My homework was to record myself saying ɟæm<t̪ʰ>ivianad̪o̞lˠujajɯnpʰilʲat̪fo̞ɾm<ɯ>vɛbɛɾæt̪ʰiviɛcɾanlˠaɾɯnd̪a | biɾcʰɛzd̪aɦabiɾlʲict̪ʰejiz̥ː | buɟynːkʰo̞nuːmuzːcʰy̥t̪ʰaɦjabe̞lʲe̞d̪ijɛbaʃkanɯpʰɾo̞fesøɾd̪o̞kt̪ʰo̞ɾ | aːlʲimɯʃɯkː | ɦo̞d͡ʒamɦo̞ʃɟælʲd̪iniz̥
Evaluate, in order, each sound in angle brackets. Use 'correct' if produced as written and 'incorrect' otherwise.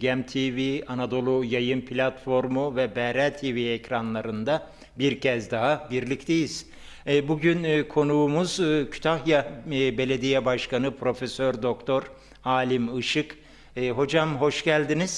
correct, incorrect: u

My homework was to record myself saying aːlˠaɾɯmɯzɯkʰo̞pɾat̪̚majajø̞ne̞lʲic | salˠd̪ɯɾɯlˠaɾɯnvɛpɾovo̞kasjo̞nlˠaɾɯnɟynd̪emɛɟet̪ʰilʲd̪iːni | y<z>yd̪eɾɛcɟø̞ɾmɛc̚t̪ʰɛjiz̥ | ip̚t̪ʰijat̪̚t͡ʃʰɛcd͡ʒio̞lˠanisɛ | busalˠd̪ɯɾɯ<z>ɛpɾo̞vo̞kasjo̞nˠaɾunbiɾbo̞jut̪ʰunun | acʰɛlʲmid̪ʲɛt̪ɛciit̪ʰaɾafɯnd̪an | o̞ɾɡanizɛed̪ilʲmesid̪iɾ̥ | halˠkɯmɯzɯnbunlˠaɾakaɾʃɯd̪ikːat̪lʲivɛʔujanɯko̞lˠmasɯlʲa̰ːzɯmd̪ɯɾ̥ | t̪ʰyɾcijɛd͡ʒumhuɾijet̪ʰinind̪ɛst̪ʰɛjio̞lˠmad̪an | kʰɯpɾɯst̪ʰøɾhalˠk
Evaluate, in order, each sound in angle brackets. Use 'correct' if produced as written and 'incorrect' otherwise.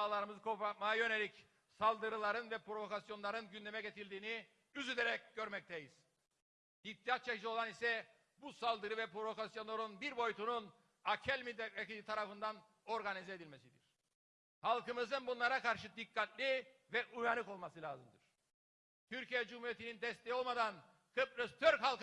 correct, incorrect: v

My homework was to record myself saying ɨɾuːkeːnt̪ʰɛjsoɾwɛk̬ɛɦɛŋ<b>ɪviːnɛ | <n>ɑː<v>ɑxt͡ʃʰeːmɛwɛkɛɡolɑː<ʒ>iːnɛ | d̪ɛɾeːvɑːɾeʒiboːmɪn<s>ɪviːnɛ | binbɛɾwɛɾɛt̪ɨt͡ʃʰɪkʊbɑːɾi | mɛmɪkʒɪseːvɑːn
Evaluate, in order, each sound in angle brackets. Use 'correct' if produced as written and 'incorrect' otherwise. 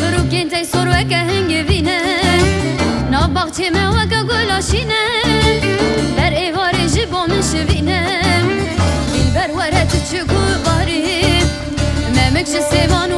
incorrect: ɡ, correct, incorrect: b, incorrect: ʃ, incorrect: ʃ

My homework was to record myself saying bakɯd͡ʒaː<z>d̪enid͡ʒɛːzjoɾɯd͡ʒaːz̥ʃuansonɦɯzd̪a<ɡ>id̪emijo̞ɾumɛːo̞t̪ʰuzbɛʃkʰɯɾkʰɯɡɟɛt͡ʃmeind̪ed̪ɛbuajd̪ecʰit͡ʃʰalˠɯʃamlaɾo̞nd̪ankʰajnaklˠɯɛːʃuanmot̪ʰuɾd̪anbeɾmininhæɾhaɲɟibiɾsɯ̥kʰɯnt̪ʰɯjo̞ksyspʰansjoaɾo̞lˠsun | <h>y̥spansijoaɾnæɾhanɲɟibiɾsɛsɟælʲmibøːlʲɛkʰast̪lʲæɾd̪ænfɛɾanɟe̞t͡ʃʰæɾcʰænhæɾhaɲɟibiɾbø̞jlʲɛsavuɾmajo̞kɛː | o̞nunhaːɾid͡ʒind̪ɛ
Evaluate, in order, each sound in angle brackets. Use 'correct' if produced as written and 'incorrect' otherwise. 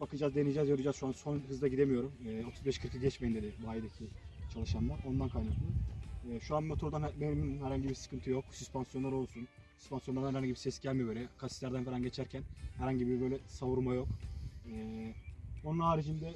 correct, incorrect: ɟ, incorrect: s

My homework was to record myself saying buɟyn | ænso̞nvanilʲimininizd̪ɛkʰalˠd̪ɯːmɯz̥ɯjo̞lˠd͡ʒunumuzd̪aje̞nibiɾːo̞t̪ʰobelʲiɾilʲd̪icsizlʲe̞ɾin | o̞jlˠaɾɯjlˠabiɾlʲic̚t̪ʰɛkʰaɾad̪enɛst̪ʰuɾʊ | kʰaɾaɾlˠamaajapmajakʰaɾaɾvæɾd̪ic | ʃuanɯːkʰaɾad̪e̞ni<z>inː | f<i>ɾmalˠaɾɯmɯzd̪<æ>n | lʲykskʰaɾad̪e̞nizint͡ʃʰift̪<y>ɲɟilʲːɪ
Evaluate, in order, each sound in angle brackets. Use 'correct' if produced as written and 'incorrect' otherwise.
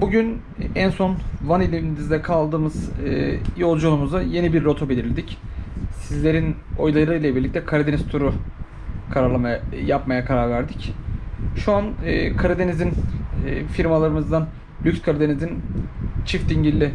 correct, correct, incorrect: a, incorrect: i

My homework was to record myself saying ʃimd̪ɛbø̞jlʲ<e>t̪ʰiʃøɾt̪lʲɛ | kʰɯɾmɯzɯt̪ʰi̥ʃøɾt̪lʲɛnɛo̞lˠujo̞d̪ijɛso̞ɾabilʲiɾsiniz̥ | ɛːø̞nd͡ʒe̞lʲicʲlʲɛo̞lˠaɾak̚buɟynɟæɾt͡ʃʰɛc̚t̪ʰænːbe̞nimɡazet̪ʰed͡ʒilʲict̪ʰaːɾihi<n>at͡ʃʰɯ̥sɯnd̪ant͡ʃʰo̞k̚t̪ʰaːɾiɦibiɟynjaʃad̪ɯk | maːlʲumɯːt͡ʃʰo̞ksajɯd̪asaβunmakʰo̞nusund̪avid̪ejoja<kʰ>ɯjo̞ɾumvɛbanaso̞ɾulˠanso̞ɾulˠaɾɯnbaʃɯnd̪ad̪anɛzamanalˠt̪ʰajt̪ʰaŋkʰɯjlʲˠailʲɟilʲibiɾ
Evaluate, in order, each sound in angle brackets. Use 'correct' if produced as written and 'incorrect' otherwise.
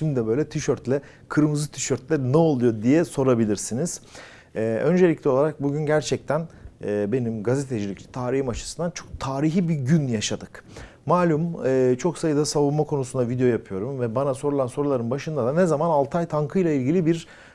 incorrect: ɛ, incorrect: m, incorrect: pʰ

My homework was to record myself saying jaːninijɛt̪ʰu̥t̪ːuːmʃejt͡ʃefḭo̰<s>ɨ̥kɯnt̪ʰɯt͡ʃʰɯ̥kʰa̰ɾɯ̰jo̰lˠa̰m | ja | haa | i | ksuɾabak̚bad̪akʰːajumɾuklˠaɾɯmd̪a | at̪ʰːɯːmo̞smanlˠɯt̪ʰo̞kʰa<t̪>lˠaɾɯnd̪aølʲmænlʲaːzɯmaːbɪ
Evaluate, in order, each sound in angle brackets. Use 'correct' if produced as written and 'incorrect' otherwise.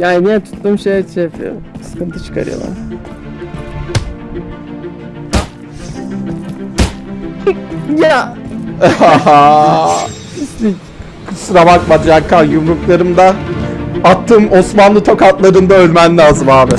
correct, correct

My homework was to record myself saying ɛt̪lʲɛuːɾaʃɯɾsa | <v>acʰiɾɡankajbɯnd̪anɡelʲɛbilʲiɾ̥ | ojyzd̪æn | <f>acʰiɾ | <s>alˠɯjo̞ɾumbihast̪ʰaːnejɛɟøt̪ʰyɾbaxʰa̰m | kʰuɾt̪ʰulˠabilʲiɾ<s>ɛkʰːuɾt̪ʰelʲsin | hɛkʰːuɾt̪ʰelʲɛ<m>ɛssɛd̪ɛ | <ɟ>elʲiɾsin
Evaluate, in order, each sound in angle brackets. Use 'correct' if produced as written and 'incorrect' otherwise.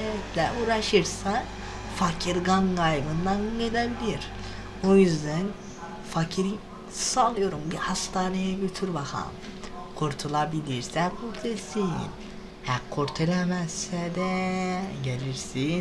incorrect: f, correct, correct, correct, correct, correct

